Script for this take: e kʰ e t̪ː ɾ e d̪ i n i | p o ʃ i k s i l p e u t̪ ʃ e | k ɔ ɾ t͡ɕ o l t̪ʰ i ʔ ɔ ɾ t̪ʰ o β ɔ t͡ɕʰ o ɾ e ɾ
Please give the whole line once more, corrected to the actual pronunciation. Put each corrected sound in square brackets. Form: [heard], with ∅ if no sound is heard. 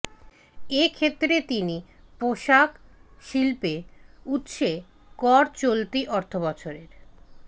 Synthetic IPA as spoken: e kʰ e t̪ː ɾ e [t̪] i n i | p o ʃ [a] k [ʃ] i l p e u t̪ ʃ e | k ɔ ɾ t͡ɕ o l [t̪] i ʔ ɔ ɾ t̪ʰ o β ɔ t͡ɕʰ o ɾ e ɾ